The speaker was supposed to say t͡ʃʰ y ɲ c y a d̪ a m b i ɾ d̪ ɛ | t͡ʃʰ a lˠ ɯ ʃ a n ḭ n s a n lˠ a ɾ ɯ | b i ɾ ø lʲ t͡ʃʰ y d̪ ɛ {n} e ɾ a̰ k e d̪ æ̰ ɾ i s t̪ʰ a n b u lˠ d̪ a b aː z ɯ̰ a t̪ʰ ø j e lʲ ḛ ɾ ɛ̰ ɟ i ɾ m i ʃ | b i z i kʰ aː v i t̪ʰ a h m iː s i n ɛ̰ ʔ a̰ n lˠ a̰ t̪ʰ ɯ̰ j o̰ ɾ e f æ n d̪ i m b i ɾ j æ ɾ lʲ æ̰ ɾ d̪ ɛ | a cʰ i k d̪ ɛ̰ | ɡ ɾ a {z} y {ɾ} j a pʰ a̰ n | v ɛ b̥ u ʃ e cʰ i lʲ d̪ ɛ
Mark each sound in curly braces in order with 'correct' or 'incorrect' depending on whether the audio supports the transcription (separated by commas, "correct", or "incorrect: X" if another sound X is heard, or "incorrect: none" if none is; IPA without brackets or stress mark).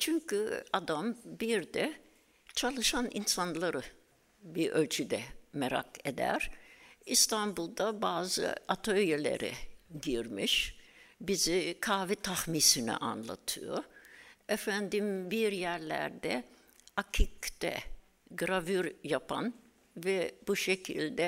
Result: incorrect: m, incorrect: v, correct